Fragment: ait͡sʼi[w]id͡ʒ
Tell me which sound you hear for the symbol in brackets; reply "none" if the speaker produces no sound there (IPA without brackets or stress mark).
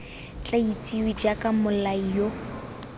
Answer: w